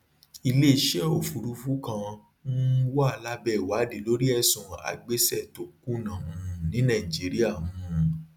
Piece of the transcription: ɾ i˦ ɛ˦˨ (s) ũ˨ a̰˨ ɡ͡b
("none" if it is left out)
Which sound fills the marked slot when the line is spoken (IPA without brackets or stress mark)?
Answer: s